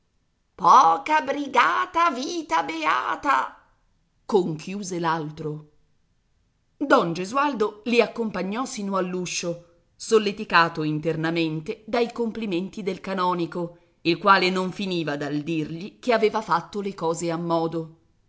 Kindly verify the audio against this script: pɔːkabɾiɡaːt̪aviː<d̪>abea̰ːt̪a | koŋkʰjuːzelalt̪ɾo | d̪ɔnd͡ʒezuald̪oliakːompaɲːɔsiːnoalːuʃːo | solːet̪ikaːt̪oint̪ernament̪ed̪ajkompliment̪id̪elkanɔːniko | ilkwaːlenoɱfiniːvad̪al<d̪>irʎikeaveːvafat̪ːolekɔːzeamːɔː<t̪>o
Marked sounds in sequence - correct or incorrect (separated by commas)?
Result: incorrect, correct, incorrect